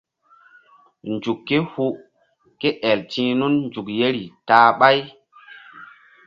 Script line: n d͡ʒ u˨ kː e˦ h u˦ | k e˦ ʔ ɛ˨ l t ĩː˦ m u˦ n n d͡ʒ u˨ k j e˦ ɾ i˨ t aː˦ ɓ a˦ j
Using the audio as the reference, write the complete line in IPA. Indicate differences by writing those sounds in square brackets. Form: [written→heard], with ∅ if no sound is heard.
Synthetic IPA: n d͡ʒ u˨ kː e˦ h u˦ | k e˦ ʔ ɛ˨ l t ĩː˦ [m→n] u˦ n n d͡ʒ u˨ k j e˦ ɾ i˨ t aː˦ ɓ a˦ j